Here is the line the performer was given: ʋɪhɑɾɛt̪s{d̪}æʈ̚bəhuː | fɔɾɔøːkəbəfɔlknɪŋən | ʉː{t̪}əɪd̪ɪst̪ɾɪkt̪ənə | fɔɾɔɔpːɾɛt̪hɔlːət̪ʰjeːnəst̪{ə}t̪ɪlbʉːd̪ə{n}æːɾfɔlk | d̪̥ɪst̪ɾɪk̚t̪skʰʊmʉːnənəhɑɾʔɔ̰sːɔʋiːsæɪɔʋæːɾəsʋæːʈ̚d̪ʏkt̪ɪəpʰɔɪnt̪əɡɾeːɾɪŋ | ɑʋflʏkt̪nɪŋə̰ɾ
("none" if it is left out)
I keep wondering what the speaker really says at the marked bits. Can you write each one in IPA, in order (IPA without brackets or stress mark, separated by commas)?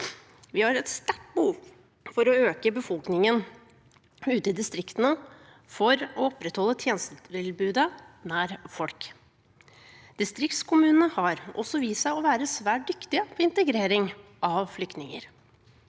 t̪, t̪, ə, n